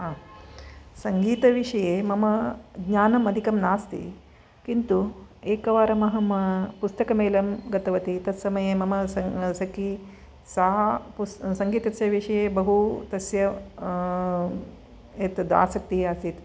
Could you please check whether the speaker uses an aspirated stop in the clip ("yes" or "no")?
no